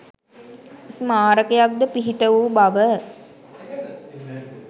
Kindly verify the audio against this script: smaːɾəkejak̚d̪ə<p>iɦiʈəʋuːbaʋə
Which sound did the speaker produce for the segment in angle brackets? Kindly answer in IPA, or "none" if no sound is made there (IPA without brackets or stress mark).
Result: p